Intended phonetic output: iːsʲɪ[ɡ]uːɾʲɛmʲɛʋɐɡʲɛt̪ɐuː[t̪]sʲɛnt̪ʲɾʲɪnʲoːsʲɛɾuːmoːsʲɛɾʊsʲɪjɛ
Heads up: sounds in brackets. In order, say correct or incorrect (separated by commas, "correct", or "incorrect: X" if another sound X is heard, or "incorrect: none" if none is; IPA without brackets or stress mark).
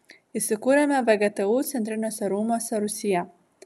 incorrect: k, correct